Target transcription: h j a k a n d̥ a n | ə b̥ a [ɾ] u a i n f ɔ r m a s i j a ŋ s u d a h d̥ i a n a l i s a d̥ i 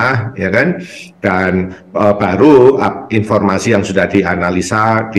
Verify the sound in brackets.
correct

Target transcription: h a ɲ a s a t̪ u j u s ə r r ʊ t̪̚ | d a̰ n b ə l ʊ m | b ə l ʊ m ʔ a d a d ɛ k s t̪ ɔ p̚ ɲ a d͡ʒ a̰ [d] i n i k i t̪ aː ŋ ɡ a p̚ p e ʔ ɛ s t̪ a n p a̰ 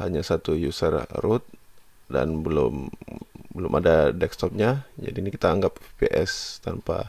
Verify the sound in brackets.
correct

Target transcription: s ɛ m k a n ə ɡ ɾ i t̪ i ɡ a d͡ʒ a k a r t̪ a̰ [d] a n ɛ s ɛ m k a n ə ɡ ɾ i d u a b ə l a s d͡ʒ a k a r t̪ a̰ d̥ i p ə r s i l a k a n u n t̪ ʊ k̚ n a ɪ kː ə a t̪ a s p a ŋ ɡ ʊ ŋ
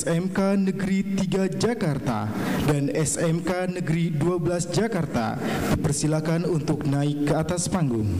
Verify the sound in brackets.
correct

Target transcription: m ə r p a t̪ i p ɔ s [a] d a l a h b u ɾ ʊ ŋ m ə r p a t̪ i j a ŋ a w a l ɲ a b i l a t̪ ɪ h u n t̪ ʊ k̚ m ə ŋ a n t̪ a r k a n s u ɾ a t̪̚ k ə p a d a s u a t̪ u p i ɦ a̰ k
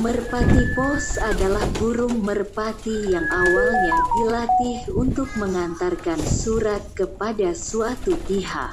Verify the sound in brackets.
correct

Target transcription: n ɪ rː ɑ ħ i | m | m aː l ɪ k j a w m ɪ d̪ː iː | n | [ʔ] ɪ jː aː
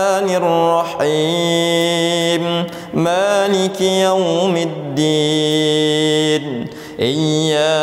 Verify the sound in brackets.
correct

